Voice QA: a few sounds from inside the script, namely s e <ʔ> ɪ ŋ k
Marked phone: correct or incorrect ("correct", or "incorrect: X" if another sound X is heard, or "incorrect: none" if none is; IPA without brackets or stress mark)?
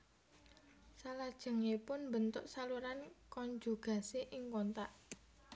correct